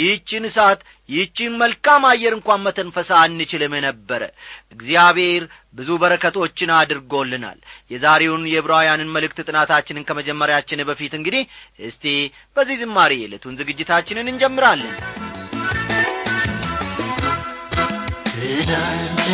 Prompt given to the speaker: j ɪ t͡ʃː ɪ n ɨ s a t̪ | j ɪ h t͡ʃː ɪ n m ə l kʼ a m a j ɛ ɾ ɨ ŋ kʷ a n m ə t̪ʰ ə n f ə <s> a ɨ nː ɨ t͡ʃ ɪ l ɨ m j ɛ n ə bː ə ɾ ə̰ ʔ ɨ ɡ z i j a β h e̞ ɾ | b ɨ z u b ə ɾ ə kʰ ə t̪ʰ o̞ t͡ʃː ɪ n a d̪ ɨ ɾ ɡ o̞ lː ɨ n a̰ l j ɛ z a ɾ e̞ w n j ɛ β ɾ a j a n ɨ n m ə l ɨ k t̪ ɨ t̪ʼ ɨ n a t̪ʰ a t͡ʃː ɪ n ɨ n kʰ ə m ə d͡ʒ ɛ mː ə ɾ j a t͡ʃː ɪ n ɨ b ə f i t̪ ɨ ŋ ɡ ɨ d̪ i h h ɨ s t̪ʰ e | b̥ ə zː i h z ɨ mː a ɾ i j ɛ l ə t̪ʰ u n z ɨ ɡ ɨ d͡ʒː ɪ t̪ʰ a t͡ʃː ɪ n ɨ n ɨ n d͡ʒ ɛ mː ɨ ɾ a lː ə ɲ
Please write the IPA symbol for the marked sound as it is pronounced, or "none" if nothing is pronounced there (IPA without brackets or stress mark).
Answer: s